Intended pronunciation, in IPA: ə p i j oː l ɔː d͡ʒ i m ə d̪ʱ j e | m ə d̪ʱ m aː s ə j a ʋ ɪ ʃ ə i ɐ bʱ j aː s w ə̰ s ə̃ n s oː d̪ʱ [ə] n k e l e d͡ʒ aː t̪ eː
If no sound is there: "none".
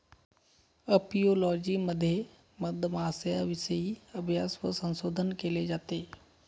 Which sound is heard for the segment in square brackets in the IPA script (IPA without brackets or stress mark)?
ə